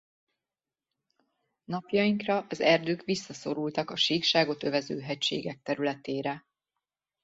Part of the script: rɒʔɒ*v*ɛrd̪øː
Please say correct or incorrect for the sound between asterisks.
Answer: incorrect